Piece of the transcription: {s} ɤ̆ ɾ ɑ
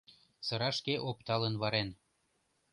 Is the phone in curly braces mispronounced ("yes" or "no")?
no